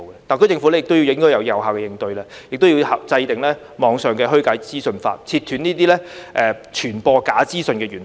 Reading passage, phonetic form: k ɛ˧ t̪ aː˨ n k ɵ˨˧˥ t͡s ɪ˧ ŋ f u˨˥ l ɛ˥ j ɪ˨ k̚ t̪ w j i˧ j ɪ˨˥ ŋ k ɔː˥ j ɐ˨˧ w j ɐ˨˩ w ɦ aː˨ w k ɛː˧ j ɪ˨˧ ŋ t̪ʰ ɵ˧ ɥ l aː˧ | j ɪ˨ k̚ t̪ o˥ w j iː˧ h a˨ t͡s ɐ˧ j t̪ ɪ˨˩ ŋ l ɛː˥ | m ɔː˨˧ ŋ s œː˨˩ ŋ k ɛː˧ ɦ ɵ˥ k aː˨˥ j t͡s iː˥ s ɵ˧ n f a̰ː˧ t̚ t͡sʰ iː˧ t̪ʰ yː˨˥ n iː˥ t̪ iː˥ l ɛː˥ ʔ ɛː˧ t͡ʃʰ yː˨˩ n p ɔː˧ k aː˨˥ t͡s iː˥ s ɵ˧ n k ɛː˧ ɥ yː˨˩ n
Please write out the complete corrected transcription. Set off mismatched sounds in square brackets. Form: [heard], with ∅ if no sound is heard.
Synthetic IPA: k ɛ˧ t̪ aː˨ n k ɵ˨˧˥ t͡s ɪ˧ ŋ f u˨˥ l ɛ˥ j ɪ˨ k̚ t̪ w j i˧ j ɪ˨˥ ŋ k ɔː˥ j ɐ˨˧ w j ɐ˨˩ w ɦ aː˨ w k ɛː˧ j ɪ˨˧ ŋ [t̪] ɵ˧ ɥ l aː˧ | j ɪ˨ k̚ t̪ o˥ w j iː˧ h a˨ t͡s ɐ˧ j t̪ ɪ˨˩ ŋ l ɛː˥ | m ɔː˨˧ ŋ s œː˨˩ ŋ k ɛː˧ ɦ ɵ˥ k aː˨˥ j t͡s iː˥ s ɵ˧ n f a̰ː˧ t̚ t͡sʰ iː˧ t̪ʰ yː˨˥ n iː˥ t̪ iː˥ l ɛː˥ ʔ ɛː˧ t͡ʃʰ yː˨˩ n p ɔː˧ k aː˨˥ t͡s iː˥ s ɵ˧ n k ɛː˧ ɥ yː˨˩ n